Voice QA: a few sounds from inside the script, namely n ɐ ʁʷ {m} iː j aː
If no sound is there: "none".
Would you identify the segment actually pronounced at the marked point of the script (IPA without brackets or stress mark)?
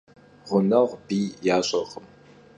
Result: b